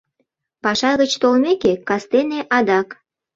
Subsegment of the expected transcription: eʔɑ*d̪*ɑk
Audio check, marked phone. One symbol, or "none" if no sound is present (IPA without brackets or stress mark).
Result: d̪